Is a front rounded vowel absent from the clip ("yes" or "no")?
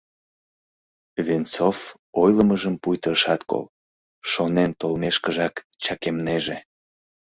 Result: yes